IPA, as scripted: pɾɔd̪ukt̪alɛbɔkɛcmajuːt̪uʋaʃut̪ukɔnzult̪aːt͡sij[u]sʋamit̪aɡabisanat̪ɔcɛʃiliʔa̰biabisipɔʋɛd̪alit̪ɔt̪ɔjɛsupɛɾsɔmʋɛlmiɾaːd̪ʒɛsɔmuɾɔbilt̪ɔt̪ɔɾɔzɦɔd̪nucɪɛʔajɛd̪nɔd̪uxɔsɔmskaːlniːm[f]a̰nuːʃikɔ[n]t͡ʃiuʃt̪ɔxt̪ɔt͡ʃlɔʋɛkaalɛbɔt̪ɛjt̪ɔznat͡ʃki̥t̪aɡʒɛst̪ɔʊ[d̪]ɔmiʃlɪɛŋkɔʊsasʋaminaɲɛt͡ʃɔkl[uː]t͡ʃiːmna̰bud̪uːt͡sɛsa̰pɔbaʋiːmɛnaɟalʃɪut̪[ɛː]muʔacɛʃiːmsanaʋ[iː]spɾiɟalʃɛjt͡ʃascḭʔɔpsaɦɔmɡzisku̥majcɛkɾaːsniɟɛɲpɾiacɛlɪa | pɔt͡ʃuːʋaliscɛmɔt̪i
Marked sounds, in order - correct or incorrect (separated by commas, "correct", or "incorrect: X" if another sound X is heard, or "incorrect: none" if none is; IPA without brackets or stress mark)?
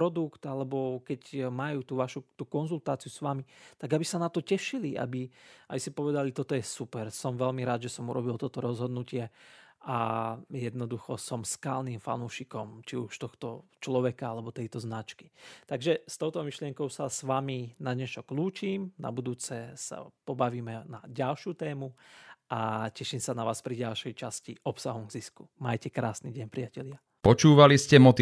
correct, correct, incorrect: m, incorrect: t̪, correct, correct, incorrect: aː